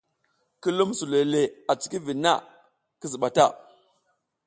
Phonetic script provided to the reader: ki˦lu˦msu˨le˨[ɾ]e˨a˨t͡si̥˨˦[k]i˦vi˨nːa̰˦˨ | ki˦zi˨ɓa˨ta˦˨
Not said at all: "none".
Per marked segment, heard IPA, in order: l, k

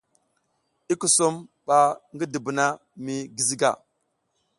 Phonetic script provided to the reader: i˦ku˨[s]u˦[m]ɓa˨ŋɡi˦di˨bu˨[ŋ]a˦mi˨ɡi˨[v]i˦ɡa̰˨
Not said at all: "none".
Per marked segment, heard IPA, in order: s, m, n, z

